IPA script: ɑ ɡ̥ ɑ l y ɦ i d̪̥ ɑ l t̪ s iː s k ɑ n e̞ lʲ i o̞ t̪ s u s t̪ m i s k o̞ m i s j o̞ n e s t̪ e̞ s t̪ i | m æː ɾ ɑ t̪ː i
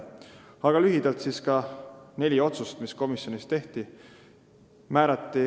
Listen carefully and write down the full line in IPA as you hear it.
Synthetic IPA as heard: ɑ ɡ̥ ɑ l y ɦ i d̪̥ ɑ l t̪ s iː s k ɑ n e̞ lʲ i o̞ t̪ s u s t̪ m i s k o̞ m i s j o̞ n i s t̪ e̞ h t̪ i | m æː ɾ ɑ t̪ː i